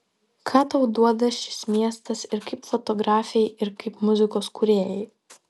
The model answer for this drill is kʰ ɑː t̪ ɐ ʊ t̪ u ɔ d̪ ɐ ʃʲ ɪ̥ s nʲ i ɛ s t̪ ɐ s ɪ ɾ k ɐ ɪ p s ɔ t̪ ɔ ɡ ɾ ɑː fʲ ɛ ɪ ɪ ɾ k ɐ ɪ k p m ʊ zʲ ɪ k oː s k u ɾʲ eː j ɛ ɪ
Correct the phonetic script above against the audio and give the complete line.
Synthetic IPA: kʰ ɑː t̪ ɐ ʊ d̪ u ɔ d̪ ɐ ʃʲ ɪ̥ s mʲ i ɛ s t̪ ɐ s ɪ ɾ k ɐ ɪ p f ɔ t̪ ɔ ɡ ɾ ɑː fʲ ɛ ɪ ɪ ɾ k ɐ ɪ p m ʊ zʲ ɪ k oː s k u ɾʲ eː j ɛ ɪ